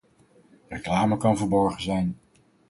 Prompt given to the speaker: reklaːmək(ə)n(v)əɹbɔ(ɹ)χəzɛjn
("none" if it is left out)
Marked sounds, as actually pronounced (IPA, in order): ɑ, v, ɹ

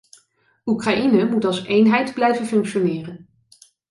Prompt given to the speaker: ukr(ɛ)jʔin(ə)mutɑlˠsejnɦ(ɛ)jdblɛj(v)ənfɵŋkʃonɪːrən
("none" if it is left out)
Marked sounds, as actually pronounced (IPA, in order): a, ə, ɛ, v

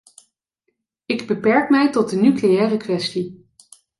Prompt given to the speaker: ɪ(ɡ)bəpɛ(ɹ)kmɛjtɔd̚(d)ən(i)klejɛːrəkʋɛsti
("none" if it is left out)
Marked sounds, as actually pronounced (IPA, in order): ɡ, ɹ, d, y

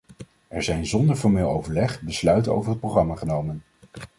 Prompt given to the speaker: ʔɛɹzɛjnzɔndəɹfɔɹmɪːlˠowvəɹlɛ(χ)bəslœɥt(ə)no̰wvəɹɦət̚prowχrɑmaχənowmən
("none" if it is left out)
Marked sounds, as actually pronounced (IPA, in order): χ, ə

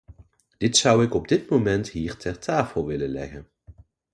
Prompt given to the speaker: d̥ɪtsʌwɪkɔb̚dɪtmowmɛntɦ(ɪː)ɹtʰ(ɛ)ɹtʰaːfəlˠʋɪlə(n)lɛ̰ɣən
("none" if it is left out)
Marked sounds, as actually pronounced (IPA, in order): iː, ɛ, n

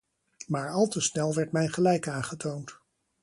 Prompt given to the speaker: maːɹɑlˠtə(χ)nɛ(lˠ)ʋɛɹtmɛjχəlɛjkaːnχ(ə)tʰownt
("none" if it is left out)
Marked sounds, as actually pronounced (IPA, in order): s, lˠ, ə

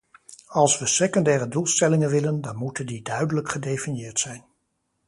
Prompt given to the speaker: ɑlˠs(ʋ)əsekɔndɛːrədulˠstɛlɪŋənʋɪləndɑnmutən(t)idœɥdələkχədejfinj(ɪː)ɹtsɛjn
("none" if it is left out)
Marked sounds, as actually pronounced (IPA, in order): ʋ, d, ɪː

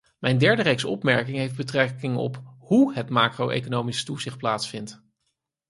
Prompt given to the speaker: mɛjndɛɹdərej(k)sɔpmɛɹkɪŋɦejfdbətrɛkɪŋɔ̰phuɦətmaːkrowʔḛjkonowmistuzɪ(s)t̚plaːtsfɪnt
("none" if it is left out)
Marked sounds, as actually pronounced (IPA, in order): k, χ

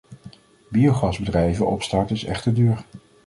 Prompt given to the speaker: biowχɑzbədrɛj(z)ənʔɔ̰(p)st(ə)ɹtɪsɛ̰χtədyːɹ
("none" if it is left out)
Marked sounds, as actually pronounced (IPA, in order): v, p, ɑ

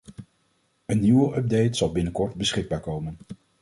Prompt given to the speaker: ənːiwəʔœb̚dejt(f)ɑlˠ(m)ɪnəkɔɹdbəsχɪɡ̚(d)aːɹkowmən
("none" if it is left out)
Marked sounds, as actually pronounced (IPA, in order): s, b, b

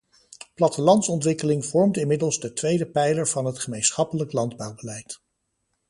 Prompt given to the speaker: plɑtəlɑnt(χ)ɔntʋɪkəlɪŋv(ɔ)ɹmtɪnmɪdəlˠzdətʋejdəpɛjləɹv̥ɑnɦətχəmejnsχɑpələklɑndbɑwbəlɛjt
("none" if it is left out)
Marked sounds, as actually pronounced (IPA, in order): s, ɔ

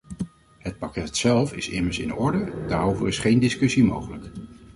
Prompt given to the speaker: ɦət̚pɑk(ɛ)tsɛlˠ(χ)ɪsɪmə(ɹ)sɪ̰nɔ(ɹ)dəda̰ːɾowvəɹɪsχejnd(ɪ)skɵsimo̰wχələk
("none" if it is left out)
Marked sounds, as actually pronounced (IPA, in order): ɛ, f, ɹ, ɹ, ɪ

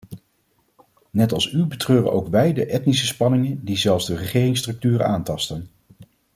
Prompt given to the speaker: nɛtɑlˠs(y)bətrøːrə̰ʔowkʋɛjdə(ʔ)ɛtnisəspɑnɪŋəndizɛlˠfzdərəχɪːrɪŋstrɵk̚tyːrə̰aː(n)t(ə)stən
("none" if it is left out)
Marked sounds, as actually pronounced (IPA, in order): y, ʔ, n, ɑ

